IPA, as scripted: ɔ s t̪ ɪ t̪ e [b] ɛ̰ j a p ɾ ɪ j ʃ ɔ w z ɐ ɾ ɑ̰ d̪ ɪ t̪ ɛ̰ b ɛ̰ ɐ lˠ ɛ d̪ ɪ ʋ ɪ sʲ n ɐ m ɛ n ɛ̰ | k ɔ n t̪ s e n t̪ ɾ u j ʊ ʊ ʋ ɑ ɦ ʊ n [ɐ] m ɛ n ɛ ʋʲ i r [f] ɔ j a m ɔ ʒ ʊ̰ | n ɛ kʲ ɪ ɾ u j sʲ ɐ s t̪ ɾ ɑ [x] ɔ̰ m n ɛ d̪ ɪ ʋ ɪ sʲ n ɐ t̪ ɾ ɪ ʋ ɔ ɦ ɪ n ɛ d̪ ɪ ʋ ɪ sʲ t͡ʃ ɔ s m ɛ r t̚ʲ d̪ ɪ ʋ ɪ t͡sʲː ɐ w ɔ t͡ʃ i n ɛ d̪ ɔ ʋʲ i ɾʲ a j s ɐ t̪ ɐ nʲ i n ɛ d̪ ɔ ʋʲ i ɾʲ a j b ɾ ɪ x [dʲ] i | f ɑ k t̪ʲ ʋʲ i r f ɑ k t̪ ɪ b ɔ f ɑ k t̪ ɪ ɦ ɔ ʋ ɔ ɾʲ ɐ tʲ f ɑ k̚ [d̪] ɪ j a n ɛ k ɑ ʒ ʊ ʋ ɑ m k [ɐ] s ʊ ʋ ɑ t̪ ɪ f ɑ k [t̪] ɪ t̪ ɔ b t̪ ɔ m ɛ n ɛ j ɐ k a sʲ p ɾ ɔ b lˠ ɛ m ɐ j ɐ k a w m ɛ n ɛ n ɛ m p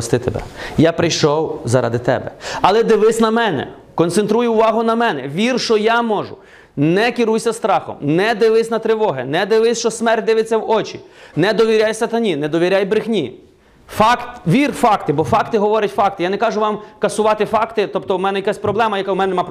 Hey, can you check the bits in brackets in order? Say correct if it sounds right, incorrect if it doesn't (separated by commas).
correct, correct, incorrect, correct, incorrect, incorrect, correct, correct